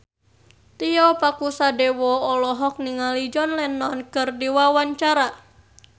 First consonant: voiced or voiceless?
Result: voiceless